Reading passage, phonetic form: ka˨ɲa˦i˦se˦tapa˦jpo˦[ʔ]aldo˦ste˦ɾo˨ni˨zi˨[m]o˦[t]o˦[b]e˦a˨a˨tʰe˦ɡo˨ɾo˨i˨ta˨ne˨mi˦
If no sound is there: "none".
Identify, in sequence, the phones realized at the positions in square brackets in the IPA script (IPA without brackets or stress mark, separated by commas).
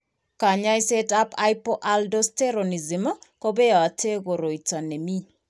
ʔ, m, k, b